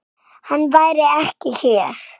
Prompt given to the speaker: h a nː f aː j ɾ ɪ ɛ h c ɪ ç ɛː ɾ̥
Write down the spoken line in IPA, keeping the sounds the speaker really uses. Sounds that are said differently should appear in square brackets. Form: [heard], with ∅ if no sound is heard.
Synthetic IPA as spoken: h a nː [v] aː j ɾ ɪ ɛ h c ɪ ç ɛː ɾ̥